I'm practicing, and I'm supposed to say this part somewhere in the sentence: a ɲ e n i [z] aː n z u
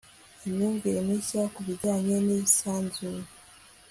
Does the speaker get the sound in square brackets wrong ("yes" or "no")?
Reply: yes